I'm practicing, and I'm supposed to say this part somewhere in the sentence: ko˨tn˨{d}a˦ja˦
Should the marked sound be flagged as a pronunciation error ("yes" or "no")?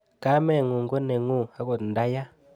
no